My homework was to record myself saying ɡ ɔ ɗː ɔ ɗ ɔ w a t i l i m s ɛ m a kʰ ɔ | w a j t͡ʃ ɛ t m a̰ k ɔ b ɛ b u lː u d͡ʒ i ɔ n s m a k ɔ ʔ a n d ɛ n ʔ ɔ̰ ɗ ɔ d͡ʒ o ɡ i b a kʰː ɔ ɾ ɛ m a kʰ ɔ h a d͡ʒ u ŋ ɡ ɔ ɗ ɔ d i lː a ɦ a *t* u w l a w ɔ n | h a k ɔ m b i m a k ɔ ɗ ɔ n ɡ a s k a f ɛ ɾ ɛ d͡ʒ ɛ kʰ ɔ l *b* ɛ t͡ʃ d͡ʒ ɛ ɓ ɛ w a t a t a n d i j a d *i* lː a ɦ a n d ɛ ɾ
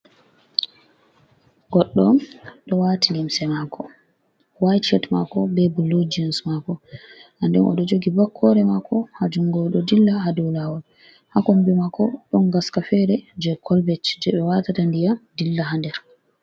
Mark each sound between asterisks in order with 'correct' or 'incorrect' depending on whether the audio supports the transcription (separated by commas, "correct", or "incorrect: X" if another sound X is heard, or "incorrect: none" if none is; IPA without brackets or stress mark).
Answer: incorrect: d, correct, correct